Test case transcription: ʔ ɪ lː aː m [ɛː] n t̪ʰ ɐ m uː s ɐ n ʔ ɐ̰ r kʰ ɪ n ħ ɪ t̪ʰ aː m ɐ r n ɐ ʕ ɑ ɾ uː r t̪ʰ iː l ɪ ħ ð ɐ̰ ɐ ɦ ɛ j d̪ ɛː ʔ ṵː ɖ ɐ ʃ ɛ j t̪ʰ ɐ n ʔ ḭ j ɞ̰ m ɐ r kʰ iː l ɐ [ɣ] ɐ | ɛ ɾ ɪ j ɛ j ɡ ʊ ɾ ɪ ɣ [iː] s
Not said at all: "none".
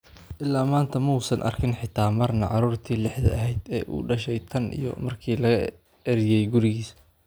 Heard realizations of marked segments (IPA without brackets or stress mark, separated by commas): aː, ɣ, iː